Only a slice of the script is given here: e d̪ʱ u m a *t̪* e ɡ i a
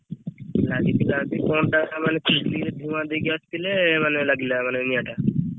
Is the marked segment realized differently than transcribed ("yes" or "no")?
yes